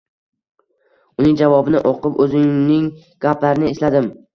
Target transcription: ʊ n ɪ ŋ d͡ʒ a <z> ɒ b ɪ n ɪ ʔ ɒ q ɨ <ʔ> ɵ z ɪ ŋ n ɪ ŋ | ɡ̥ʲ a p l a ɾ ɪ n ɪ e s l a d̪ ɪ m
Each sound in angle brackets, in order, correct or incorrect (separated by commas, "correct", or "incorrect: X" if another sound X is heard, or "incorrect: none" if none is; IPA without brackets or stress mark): incorrect: v, incorrect: p